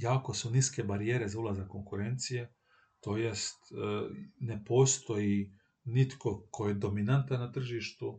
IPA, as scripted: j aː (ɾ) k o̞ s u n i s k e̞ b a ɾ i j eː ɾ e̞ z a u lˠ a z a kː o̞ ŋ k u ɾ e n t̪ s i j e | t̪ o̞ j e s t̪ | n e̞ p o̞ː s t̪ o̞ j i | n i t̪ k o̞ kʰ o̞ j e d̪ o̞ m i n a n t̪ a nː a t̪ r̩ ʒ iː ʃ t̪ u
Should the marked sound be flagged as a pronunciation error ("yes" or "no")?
yes